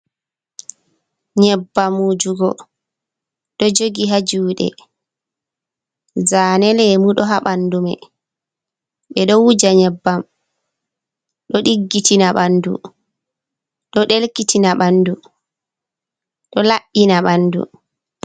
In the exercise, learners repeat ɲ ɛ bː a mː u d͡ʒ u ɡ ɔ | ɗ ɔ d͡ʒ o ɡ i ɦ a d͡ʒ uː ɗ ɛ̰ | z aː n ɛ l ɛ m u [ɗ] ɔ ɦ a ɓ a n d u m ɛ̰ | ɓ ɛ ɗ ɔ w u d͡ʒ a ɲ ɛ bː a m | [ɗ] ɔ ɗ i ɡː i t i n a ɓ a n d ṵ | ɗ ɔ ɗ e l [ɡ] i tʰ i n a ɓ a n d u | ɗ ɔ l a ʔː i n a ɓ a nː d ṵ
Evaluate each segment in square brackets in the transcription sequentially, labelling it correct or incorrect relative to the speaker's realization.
correct, correct, incorrect

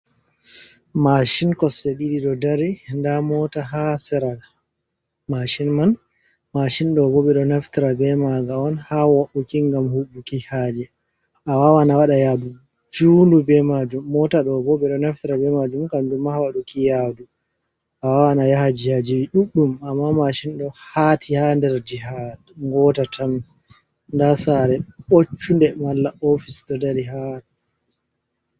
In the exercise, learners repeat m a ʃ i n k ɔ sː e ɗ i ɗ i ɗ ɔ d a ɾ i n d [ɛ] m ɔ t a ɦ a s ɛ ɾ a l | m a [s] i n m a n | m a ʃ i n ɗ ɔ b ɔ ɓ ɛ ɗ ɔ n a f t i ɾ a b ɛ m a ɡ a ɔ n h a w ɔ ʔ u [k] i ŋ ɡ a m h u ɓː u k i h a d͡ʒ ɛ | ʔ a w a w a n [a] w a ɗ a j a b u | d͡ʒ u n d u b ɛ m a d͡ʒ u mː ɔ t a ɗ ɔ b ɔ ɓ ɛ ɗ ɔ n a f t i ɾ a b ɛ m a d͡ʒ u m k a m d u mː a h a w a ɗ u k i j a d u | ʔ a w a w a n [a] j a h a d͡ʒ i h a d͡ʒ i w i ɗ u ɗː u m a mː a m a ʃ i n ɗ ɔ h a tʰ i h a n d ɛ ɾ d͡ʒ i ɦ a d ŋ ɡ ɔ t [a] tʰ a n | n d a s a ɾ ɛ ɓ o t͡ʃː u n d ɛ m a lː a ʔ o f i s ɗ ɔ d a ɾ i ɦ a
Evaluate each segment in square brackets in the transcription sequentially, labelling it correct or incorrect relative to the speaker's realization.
incorrect, incorrect, correct, correct, correct, correct

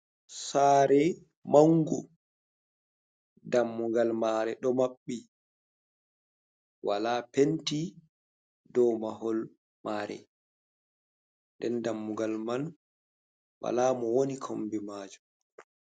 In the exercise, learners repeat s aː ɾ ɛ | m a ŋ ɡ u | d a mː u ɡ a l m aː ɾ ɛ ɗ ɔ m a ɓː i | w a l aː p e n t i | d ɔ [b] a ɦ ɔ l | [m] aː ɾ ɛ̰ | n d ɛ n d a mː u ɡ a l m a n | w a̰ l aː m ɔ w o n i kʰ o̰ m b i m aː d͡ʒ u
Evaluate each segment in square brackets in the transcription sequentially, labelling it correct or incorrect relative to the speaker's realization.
incorrect, correct

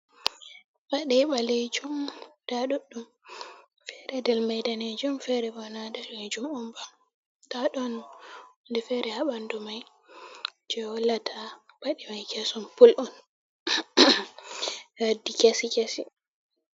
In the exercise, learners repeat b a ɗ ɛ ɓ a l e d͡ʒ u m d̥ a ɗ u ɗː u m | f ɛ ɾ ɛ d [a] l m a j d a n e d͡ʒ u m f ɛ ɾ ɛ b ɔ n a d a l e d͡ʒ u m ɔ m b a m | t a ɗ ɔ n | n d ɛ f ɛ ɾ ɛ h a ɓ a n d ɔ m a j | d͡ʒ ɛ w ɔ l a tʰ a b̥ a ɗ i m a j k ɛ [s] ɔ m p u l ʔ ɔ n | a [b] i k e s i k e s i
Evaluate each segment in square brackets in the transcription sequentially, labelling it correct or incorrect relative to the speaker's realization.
incorrect, correct, incorrect

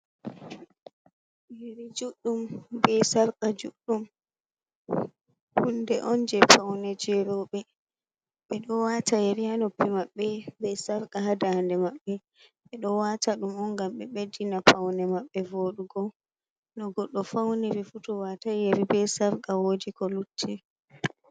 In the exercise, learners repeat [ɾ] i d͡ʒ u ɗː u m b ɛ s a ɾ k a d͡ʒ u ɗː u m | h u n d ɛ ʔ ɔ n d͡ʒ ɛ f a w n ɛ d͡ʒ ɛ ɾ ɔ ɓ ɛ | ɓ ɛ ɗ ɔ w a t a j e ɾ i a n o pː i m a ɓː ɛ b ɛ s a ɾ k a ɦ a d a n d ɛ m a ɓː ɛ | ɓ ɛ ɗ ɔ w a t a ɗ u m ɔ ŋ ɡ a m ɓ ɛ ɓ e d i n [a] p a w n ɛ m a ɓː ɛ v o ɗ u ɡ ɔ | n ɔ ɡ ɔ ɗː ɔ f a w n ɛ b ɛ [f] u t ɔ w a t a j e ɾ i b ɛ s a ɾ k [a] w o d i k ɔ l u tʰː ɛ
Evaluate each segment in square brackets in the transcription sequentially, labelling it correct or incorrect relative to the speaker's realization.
correct, correct, correct, correct

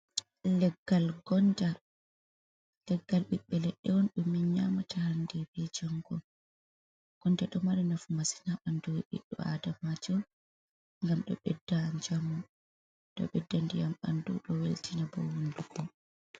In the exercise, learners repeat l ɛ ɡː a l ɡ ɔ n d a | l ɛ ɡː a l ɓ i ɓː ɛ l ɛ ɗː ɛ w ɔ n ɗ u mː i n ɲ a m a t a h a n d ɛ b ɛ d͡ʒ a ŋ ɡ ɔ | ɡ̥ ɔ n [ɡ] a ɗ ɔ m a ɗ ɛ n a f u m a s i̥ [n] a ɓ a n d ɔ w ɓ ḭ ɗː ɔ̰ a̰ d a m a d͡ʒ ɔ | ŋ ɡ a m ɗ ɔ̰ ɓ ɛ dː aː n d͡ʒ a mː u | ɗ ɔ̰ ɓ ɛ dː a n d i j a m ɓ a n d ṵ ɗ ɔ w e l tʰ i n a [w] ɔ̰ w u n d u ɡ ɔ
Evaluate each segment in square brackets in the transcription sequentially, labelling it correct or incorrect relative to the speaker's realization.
incorrect, correct, incorrect

